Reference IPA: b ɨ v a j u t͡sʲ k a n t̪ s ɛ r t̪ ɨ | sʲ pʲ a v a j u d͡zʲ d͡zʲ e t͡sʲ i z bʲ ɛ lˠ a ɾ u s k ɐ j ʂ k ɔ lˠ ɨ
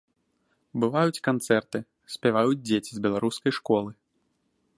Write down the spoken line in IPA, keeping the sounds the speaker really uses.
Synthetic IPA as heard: b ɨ v a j u t͡sʲ k a n t̪ s ɛ r t̪ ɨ | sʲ pʲ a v a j u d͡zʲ d͡zʲ e t͡sʲ i z bʲ ɛ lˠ a ɾ u s k ɐ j ʂ k ɔ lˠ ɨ